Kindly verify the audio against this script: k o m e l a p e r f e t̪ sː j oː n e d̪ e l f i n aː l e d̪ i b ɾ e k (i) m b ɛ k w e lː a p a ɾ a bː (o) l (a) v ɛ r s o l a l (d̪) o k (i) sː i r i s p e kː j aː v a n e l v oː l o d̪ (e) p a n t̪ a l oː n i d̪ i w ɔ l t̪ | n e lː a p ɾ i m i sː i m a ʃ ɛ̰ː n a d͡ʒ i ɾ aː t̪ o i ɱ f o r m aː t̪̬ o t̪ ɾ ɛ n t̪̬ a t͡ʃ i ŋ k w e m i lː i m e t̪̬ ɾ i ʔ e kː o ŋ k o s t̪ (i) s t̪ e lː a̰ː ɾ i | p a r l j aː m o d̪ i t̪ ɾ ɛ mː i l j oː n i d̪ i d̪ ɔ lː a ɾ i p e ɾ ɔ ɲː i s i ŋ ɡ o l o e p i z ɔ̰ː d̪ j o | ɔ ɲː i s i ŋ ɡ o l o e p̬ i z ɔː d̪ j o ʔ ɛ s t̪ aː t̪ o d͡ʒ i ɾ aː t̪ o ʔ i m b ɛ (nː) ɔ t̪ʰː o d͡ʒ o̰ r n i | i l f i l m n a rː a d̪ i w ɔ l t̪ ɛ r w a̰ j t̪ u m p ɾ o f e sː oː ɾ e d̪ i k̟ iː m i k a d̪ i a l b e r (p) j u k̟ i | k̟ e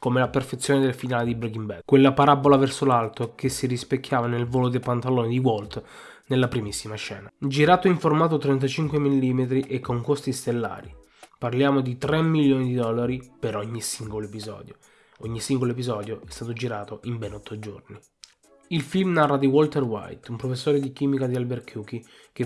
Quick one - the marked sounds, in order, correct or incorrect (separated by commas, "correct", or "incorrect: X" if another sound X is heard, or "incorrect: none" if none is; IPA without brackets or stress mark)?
correct, correct, correct, incorrect: t̪, incorrect: e, correct, correct, incorrect: n, incorrect: k